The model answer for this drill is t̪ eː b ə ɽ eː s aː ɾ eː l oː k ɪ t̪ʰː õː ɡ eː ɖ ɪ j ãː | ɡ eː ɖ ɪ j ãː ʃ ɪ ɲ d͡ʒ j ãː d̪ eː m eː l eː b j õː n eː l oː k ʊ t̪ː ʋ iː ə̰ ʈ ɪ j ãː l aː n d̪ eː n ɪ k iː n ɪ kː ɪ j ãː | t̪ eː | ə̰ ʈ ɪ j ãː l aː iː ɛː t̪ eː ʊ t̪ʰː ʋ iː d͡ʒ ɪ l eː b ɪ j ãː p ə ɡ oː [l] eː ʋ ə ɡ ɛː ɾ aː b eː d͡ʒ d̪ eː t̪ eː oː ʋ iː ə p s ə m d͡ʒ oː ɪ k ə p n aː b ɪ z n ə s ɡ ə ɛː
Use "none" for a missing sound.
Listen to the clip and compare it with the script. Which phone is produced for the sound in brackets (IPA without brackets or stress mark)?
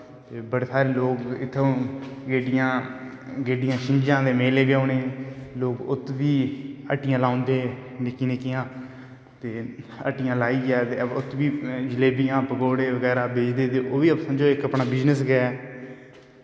ɽ